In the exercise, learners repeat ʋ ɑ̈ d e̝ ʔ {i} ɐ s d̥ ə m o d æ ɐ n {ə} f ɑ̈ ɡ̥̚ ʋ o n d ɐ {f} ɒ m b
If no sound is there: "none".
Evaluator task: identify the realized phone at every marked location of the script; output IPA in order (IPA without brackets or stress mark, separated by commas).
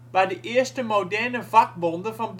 e, ə, f